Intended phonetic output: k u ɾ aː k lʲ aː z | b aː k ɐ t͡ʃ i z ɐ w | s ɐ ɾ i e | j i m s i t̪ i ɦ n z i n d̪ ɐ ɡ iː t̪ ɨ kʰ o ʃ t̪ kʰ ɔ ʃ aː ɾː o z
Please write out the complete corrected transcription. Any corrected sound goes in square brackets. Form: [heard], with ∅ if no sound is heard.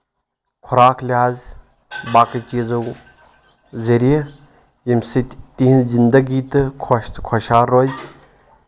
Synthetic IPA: [kʰ] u ɾ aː k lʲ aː z | b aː k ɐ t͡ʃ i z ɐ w | [z] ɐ ɾ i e | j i m s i t̪ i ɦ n z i n d̪ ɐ ɡ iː t̪ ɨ kʰ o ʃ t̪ kʰ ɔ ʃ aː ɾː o z